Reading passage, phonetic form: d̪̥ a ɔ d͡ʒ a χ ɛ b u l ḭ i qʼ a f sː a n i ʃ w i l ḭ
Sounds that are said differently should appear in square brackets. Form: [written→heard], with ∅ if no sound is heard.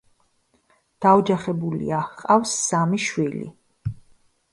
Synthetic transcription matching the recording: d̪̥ a ɔ d͡ʒ a χ ɛ b u l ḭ [i→a] qʼ a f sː a [n→m] i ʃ w i l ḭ